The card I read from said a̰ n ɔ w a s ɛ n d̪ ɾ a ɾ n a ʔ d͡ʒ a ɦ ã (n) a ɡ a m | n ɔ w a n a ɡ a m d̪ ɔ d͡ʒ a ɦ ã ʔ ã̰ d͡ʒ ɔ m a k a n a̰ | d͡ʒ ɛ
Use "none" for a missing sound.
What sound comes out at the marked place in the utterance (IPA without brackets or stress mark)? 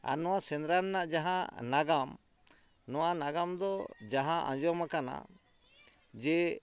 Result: n